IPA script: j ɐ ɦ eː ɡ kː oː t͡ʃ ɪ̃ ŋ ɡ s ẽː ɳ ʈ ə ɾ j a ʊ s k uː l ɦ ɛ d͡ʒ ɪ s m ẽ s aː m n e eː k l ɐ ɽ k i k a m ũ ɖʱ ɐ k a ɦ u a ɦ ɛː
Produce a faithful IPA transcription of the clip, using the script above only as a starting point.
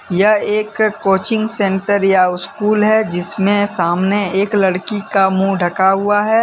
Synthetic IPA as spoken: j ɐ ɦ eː k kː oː t͡ʃ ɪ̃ ŋ ɡ s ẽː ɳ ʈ ə ɾ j a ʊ s k uː l ɦ ɛ d͡ʒ ɪ s m ẽ s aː m n e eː k l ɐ ɽ k i k a m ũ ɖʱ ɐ k a ɦ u a ɦ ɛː